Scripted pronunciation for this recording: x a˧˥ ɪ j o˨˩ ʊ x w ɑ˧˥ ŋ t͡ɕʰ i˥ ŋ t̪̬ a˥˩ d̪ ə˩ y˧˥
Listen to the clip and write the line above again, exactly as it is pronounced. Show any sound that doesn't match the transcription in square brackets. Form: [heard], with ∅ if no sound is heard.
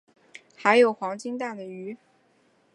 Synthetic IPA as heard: x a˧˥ ɪ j o˨˩ ʊ x w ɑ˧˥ ŋ [t͡ɕ] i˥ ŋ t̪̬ a˥˩ d̪ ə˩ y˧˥